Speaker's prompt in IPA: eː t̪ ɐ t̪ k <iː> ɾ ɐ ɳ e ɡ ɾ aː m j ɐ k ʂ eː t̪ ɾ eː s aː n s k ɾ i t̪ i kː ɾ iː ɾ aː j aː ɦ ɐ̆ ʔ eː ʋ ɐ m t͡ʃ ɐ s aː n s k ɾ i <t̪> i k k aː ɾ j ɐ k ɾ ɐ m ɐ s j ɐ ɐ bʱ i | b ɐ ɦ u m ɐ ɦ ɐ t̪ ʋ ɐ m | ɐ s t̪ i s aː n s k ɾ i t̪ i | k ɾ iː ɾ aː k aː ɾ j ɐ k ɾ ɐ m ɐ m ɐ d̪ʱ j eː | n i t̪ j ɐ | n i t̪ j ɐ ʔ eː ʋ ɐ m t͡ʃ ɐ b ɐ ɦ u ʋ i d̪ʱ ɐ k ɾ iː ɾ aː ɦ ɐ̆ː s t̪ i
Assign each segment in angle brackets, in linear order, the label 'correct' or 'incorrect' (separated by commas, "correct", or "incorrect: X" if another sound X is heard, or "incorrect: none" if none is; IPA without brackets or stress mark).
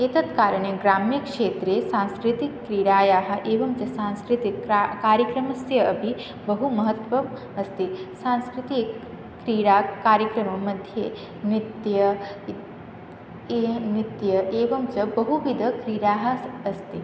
incorrect: aː, correct